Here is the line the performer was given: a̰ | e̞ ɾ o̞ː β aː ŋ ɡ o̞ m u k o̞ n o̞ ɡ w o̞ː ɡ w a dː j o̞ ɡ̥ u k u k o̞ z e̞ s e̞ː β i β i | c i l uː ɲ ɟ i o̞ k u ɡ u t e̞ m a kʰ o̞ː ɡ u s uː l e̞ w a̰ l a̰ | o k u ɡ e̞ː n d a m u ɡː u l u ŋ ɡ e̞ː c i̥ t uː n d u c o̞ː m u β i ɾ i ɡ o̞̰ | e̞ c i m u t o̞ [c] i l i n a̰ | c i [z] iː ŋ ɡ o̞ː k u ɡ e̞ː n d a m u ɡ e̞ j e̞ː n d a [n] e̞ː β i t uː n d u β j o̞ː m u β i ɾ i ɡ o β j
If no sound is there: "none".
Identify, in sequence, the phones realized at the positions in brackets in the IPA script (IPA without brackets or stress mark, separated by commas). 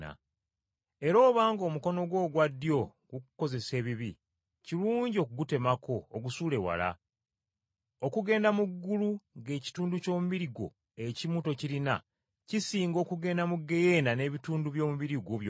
c, s, n